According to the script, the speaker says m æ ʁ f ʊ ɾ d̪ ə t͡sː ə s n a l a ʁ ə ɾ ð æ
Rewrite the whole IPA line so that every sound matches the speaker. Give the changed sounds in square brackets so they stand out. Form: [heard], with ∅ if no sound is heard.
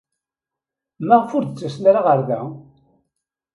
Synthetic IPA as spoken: m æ ʁ f ʊ ɾ d̪ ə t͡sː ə s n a [ɾ] a ʁ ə ɾ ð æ